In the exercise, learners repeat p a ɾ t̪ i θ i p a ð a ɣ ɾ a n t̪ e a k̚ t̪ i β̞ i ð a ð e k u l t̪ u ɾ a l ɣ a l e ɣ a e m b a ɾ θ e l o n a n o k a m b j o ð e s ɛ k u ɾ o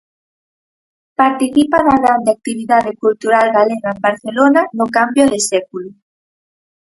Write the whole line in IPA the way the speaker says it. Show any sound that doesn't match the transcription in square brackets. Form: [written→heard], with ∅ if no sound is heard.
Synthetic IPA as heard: p a ɾ t̪ i θ i p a ð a ɣ ɾ a n [t̪→d̪] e a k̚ t̪ i β̞ i ð a ð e k u l t̪ u ɾ a l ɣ a l e ɣ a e m b a ɾ θ e l o n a n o k a m b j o ð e s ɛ k u [ɾ→l] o